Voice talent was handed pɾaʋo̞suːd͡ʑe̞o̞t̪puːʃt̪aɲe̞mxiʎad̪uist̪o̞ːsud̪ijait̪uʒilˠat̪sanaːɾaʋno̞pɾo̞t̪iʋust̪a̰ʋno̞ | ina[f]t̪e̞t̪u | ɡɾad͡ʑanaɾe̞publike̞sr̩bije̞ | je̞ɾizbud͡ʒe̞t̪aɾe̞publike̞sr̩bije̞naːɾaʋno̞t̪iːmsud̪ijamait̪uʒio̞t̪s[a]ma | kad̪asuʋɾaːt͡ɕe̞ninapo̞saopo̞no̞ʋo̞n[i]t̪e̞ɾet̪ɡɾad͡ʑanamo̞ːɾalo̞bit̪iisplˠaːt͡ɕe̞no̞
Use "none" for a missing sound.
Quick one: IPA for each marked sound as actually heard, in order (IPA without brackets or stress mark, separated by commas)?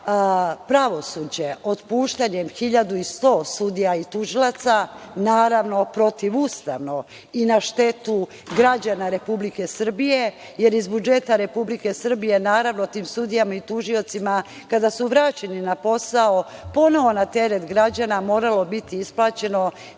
ʃ, i, a